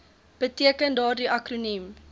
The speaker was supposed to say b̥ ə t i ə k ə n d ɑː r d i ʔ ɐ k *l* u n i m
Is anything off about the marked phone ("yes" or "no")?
yes